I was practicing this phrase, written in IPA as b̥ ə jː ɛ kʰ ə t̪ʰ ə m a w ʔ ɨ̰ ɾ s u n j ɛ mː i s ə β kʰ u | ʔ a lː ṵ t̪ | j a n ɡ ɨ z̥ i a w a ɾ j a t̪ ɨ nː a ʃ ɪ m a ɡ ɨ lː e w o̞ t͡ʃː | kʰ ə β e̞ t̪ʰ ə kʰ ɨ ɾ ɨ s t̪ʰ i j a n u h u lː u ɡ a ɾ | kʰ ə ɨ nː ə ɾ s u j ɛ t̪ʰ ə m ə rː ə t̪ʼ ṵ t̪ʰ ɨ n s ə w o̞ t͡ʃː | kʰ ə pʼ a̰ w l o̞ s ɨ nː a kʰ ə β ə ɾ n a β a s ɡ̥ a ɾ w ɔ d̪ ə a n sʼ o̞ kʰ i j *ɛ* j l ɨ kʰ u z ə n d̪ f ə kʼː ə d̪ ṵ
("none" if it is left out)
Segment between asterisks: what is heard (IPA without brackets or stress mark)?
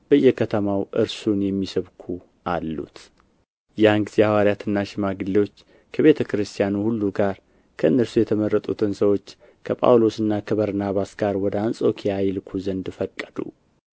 a